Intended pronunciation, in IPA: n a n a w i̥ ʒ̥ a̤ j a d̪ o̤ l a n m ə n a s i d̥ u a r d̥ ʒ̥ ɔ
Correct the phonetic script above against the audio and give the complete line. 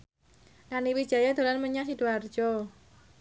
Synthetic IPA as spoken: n a n i w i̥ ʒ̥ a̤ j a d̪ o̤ l a n m ə ɲ a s i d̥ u a r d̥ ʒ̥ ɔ